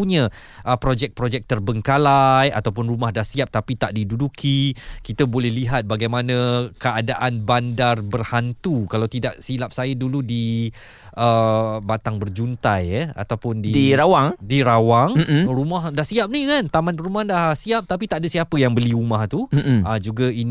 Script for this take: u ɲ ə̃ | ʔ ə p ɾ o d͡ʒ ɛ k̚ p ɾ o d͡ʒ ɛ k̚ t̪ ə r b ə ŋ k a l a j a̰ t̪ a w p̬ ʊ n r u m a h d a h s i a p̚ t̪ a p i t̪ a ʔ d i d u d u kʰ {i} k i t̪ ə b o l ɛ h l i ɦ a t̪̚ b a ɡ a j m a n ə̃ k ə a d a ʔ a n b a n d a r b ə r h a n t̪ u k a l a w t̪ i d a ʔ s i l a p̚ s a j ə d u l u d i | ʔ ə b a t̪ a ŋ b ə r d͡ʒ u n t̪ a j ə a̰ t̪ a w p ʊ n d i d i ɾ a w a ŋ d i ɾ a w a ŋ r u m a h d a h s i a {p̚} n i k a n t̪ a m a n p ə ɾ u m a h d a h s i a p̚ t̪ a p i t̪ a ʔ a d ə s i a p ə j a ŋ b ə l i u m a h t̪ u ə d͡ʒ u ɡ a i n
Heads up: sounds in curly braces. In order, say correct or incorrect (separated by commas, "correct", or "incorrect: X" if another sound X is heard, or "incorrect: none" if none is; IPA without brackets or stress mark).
correct, correct